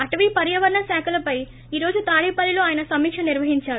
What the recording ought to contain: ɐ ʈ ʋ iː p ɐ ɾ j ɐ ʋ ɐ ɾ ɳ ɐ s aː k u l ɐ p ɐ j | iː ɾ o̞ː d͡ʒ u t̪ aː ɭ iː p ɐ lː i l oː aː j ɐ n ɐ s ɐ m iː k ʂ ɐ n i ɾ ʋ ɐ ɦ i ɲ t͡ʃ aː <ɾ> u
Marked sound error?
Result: no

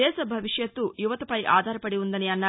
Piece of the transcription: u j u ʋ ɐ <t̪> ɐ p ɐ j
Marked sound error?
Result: no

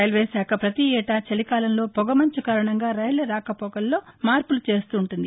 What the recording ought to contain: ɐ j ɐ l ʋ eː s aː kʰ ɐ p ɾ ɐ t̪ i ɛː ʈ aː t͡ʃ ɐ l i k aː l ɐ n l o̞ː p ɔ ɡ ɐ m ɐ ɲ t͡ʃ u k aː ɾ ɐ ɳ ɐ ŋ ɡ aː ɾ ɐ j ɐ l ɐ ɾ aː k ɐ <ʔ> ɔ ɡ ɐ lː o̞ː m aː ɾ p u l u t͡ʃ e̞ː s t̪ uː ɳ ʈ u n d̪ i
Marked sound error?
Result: yes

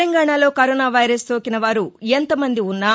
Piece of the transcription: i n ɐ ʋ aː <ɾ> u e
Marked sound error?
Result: no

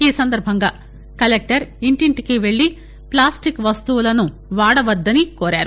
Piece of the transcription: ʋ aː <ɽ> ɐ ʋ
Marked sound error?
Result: no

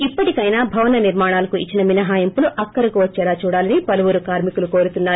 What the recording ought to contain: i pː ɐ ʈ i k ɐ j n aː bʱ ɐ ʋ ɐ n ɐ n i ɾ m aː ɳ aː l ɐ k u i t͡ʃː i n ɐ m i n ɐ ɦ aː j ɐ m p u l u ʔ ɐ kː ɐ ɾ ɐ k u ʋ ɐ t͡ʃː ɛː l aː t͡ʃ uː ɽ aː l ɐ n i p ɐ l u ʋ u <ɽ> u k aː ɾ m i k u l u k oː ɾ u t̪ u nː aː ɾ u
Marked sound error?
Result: yes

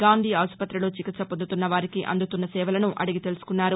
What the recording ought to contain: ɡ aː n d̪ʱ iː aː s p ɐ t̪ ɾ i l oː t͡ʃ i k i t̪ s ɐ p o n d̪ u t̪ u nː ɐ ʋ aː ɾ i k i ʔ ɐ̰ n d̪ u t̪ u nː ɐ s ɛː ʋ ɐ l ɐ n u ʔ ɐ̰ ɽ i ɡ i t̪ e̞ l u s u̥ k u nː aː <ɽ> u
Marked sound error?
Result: yes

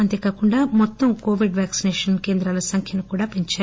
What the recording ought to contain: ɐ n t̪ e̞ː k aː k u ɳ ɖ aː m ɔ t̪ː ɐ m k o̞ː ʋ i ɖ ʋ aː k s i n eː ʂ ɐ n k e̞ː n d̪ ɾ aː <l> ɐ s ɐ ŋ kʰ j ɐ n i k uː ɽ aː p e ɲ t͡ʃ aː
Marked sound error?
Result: no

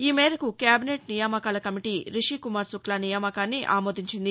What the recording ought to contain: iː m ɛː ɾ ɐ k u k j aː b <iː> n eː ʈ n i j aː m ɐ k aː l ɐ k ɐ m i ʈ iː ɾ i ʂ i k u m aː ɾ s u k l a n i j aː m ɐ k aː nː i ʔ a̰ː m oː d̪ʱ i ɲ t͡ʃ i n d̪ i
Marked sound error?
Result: yes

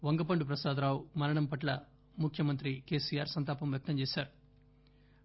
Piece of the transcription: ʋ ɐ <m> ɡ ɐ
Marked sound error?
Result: yes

